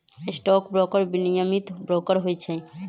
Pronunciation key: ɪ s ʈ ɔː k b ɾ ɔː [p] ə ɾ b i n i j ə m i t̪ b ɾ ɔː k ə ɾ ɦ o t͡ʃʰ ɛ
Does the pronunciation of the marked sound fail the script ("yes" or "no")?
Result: yes